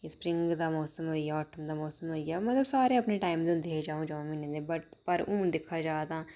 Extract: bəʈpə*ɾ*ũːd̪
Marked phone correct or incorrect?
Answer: correct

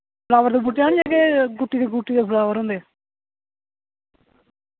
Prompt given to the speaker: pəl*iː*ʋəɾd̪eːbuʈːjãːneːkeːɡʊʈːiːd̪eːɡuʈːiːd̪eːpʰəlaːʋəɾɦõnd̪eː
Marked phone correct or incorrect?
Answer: incorrect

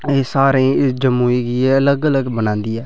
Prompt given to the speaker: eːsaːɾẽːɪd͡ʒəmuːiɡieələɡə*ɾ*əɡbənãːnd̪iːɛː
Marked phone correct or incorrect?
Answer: incorrect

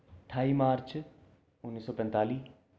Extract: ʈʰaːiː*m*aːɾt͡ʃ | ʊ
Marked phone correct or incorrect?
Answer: correct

